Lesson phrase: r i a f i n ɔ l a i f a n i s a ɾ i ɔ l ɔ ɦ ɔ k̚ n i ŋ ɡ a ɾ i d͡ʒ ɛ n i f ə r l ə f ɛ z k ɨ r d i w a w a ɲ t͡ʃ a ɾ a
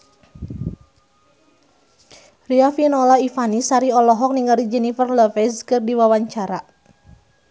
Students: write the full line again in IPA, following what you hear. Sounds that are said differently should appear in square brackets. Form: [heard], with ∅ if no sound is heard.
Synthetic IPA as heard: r i a f i n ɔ l a i f a n i s a ɾ i ɔ l ɔ ɦ ɔ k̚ n i ŋ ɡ a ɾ i d͡ʒ ɛ n i f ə r l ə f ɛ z k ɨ r d i w a w a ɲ t͡ʃ a ɾ a